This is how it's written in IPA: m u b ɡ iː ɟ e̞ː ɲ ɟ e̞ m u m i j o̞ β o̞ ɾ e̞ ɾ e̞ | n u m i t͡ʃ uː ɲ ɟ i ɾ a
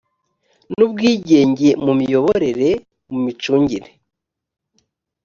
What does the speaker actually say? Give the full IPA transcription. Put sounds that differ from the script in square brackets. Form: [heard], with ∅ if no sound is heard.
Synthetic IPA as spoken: [n] u b ɡ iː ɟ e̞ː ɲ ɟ e̞ m u m i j o̞ β o̞ ɾ e̞ ɾ e̞ | [m] u m i t͡ʃ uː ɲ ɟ i ɾ [e]